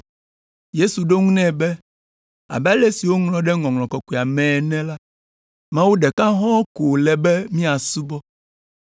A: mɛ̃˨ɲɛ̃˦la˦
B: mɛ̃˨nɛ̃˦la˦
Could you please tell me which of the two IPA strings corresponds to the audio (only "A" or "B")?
B